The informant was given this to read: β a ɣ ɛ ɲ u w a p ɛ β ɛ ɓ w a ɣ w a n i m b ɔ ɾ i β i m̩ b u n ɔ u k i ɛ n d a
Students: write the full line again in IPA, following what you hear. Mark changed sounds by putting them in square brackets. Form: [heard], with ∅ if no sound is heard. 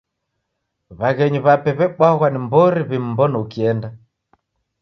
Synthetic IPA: β a ɣ ɛ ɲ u [β] a p ɛ β ɛ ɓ w a ɣ w a n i m b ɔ ɾ i β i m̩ b [ɔ] n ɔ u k i ɛ n d a